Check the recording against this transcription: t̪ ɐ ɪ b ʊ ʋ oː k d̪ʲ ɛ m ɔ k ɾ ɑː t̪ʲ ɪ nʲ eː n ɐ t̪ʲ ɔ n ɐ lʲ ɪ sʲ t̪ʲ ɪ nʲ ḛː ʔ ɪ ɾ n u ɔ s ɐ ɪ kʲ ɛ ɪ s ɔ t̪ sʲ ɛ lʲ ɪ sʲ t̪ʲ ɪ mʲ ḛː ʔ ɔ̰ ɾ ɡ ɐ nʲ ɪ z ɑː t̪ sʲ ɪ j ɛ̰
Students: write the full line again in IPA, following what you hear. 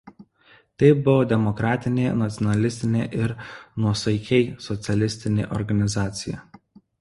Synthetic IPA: t̪ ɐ ɪ b ʊ ʋ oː d̪ʲ ɛ m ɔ k ɾ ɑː t̪ʲ ɪ nʲ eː n ɐ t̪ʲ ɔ n ɐ lʲ ɪ sʲ t̪ʲ ɪ nʲ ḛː ʔ ɪ ɾ n u ɔ s ɐ ɪ kʲ ɛ ɪ s ɔ t̪ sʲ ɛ lʲ ɪ sʲ t̪ʲ ɪ nʲ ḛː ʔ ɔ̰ ɾ ɡ ɐ nʲ ɪ z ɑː t̪ sʲ ɪ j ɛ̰

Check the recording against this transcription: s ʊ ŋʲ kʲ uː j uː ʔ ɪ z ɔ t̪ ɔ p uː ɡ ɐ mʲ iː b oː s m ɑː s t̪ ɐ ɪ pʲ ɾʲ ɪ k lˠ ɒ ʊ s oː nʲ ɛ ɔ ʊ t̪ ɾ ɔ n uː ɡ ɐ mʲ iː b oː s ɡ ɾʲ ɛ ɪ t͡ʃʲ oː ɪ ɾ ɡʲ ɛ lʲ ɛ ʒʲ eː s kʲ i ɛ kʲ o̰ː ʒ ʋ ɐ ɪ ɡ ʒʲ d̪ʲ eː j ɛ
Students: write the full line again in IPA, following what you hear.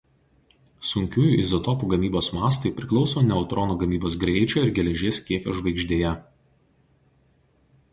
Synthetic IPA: s ʊ ŋʲ kʲ uː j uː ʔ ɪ z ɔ t̪ ɔ p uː ɡ ɐ mʲ iː b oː s m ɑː s t̪ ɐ ɪ pʲ ɾʲ ɪ k lˠ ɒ ʊ s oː nʲ ɛ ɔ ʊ t̪ ɾ ɔ n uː ɡ ɐ mʲ iː b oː s ɡ ɾʲ ɛ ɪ t͡ʃʲ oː ɪ ɾ ɡʲ ɛ lʲ ɛ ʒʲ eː s kʲ i ɛ kʲ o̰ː ʒ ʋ ɐ ɪ ɡ ʒʲ d̪ʲ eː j ɛ

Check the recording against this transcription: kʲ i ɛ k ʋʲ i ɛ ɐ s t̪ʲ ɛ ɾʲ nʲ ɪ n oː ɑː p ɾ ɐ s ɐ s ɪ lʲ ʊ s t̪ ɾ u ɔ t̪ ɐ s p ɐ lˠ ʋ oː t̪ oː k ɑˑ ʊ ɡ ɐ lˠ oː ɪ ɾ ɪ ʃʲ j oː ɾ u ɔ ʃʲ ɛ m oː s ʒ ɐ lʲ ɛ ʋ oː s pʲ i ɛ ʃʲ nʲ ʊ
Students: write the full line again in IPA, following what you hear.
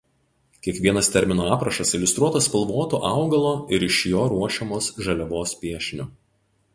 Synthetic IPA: kʲ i ɛ k ʋʲ i ɛ ɐ s t̪ʲ ɛ ɾʲ mʲ ɪ n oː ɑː p ɾ ɐ ʃ ɐ s ɪ lʲ ʊ s t̪ ɾ u ɔ t̪ ɐ s p ɐ lˠ ʋ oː t̪ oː ʔ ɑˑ ʊ ɡ ɐ lˠ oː ɪ ɾ ɪ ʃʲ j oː ɾ u ɔ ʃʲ ɛ m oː s ʒ ɐ lʲ ɛ ʋ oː s pʲ i ɛ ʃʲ nʲ ʊ

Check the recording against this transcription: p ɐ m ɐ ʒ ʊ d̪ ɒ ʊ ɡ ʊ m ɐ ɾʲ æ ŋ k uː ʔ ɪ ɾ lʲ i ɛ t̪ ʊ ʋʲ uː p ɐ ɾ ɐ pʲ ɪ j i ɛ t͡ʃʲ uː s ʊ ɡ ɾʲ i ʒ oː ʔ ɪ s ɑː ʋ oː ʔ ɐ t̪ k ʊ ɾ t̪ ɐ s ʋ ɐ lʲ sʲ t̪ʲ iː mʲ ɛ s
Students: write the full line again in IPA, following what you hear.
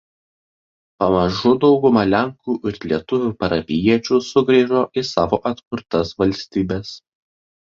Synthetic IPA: p ɐ m ɐ ʒ ʊ d̪ ɒ ʊ ɡ ʊ m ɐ lʲ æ ŋ k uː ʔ ɪ ɾ lʲ i ɛ t̪ ʊ ʋʲ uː p ɐ ɾ ɐ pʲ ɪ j i ɛ t͡ʃʲ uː s ʊ ɡ ɾʲ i ʒ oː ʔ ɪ s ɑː ʋ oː ʔ ɐ t̪ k ʊ ɾ t̪ ɐ s ʋ ɐ lʲ sʲ t̪ʲ iː bʲ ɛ s

